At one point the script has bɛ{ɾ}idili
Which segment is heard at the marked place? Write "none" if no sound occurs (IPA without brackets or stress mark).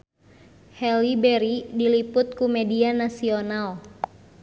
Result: ɾ